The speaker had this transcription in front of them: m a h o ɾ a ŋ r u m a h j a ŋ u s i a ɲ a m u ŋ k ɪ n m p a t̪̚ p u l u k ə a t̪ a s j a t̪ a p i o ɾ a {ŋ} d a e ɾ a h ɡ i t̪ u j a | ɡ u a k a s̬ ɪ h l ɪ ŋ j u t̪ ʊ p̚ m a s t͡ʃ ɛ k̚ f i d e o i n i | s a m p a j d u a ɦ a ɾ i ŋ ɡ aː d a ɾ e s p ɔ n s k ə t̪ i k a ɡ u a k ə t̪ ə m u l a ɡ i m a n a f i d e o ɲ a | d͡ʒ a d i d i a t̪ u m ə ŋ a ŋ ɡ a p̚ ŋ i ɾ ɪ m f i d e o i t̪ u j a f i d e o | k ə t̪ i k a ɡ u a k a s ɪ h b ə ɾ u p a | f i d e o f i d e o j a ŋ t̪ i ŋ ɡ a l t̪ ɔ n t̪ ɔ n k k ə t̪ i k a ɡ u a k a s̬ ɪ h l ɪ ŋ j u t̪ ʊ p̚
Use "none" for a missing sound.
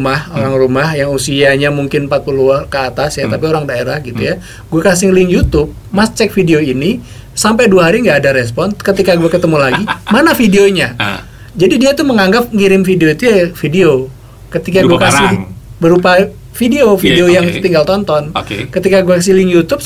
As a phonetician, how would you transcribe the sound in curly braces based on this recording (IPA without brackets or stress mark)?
ŋ